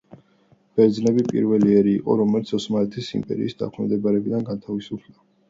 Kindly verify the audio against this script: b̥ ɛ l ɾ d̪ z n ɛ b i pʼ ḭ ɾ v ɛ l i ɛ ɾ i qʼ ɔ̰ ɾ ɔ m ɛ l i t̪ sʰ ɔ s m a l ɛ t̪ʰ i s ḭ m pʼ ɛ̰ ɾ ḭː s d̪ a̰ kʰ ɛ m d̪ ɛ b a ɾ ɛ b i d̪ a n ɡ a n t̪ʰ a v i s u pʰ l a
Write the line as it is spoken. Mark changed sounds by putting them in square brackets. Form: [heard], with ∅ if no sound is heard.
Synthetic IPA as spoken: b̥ ɛ [∅] ɾ d̪ z n ɛ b i pʼ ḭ ɾ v ɛ l i ɛ ɾ [iː] qʼ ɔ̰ ɾ ɔ m ɛ l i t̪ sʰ ɔ s m a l ɛ t̪ʰ i s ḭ m pʼ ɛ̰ ɾ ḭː s d̪ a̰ kʰ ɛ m d̪ ɛ b a ɾ ɛ b i d̪ a n ɡ a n t̪ʰ a v i s u pʰ l a